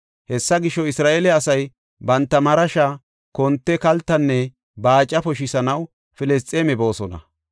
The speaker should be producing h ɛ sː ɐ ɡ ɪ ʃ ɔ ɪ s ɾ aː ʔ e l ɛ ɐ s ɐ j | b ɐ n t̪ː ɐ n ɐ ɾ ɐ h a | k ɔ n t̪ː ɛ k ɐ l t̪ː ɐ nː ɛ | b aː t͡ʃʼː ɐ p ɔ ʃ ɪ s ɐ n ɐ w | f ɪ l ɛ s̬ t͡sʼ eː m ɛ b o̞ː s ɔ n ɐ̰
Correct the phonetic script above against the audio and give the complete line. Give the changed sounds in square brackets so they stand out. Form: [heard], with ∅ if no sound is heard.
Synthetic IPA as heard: h ɛ sː ɐ ɡ ɪ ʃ ɔ ɪ s ɾ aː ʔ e l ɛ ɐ s ɐ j | b ɐ n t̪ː ɐ [m] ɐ ɾ ɐ [ʃ] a | k ɔ n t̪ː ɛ k ɐ l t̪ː ɐ nː ɛ | b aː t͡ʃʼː ɐ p ɔ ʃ ɪ s ɐ n ɐ w | f ɪ l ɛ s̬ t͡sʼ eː m ɛ b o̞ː s ɔ n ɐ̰

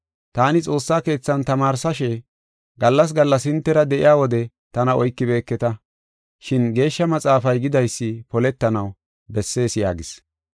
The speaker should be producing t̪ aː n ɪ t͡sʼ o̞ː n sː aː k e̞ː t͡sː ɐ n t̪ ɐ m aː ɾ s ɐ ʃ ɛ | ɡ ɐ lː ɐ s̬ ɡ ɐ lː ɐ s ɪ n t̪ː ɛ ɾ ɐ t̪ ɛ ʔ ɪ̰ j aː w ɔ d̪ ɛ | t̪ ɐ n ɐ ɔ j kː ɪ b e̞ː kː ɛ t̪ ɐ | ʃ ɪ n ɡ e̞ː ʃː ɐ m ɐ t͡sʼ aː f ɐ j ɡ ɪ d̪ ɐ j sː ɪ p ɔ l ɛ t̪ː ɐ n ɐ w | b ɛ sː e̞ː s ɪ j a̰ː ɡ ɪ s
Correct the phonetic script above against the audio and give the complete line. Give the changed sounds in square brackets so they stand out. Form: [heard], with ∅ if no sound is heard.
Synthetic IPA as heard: t̪ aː n ɪ t͡sʼ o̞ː [∅] sː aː k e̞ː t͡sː ɐ n t̪ ɐ m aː ɾ s ɐ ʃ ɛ | ɡ ɐ lː ɐ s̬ ɡ ɐ lː ɐ s ɪ n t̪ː ɛ ɾ ɐ [d̪] ɛ ʔ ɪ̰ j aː w ɔ d̪ ɛ | t̪ ɐ n ɐ ɔ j kː ɪ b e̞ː kː ɛ t̪ ɐ | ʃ ɪ n ɡ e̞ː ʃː ɐ m ɐ t͡sʼ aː f ɐ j ɡ ɪ d̪ ɐ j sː ɪ p ɔ l ɛ t̪ː ɐ n ɐ w | b ɛ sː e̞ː s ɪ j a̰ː ɡ ɪ s

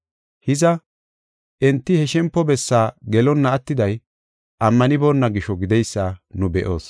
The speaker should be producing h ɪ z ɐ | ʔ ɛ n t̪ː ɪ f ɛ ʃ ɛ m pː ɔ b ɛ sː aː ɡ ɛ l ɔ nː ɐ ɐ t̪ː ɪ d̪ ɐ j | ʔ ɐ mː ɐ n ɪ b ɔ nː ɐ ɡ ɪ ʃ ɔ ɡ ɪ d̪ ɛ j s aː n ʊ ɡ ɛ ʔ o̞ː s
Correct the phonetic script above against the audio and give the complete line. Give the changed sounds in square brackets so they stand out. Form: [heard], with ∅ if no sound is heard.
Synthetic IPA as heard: h ɪ z ɐ | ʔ ɛ n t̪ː ɪ [h] ɛ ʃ ɛ m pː ɔ b ɛ sː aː ɡ ɛ l ɔ nː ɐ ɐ t̪ː ɪ d̪ ɐ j | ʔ ɐ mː ɐ n ɪ b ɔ nː ɐ ɡ ɪ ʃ ɔ ɡ ɪ d̪ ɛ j [sː] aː n ʊ [b] ɛ ʔ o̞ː s

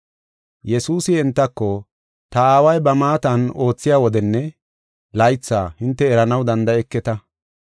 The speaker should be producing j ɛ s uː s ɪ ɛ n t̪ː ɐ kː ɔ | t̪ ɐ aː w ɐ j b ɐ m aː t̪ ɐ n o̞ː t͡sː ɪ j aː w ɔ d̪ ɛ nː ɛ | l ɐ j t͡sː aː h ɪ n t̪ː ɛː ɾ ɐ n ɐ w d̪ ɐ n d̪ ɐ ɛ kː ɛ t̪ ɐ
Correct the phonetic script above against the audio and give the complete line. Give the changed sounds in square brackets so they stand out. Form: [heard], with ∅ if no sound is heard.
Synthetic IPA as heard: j ɛ s uː s ɪ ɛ n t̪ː ɐ kː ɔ | t̪ ɐ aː w ɐ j b ɐ m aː t̪ ɐ n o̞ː t͡sː ɪ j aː w ɔ d̪ ɛ nː ɛ | l ɐ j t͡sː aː h ɪ n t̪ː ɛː ɾ ɐ n ɐ w d̪ ɐ n d̪ ɐ ɛ kː ɛ t̪ ɐ

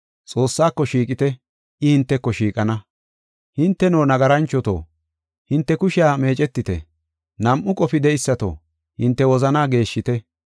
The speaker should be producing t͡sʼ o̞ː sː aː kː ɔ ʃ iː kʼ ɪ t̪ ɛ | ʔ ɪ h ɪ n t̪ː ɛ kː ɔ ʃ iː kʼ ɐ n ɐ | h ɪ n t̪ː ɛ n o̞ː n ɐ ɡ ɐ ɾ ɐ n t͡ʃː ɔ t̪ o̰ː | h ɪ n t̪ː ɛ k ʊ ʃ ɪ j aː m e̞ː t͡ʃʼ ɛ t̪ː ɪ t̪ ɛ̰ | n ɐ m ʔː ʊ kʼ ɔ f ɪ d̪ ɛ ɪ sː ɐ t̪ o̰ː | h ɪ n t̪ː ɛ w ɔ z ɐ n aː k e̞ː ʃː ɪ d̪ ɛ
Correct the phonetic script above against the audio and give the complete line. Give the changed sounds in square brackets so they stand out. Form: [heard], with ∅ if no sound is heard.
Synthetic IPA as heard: t͡sʼ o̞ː sː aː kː ɔ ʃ iː kʼ ɪ t̪ ɛ | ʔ ɪ h ɪ n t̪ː ɛ kː ɔ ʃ iː kʼ ɐ n ɐ | h ɪ n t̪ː ɛ n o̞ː n ɐ ɡ ɐ ɾ ɐ n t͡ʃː ɔ t̪ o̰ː | h ɪ n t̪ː ɛ k ʊ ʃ ɪ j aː m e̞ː t͡ʃʼ ɛ t̪ː ɪ t̪ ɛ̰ | n ɐ m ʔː ʊ kʼ ɔ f ɪ d̪ ɛ ɪ sː ɐ t̪ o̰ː | h ɪ n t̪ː ɛ w ɔ z ɐ n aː [ɡ] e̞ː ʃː ɪ [t̪] ɛ

